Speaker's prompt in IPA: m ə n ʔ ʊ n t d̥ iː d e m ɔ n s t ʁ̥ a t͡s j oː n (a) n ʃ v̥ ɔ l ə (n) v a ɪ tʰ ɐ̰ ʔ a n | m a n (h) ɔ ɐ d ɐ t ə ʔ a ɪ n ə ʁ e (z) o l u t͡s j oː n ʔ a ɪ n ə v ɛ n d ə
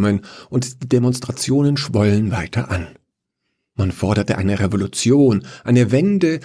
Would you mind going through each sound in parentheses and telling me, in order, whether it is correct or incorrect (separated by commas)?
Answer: incorrect, correct, incorrect, incorrect